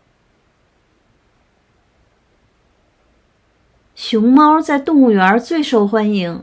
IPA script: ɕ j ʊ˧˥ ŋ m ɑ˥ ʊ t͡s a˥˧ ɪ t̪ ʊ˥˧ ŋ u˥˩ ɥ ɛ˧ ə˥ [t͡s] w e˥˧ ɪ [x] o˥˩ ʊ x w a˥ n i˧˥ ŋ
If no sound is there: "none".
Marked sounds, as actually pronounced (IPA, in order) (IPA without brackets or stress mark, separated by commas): t͡s, ʂ